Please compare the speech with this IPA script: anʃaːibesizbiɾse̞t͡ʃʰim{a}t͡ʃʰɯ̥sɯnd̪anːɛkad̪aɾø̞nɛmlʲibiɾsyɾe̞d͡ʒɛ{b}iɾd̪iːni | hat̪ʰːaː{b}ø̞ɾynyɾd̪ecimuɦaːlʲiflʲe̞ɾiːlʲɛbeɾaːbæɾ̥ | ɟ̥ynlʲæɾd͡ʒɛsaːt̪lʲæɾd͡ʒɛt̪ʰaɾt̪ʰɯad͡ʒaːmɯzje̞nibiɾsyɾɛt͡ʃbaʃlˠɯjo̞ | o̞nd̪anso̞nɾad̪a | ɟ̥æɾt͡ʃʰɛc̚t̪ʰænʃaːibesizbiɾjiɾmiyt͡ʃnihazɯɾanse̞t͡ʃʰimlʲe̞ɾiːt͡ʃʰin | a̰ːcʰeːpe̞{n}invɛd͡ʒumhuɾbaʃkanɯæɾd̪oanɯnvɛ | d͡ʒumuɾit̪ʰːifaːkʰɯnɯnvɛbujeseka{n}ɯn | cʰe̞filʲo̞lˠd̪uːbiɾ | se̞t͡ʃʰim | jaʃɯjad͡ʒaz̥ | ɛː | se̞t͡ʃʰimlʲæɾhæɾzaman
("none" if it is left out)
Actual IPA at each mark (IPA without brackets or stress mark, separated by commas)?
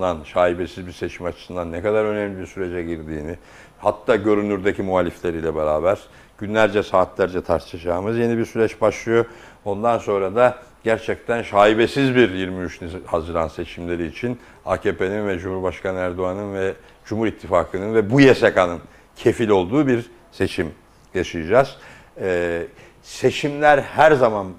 a, ɟ, ɟ, n, n